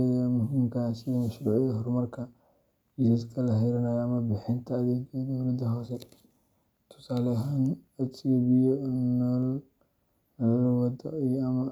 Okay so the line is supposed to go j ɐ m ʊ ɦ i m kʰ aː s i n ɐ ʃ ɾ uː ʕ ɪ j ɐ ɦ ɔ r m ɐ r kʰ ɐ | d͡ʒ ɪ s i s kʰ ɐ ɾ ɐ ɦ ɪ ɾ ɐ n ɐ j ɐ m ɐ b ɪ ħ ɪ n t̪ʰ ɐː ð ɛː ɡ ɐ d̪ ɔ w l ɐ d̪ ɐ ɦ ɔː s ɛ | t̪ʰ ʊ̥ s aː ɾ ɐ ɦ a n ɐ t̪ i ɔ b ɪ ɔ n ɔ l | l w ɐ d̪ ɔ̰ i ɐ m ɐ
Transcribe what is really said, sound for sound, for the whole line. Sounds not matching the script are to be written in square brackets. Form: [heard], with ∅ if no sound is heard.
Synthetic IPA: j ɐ m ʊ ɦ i m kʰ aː s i [m] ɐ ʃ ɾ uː ʕ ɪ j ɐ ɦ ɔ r m ɐ r kʰ ɐ | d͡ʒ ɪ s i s kʰ ɐ [l] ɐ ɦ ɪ ɾ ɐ n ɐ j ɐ m ɐ b ɪ ħ ɪ n t̪ʰ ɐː ð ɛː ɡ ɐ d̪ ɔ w l ɐ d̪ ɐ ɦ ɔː s ɛ | t̪ʰ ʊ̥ s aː [l] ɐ ɦ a n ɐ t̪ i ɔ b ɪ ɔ n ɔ l | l w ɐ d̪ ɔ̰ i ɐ m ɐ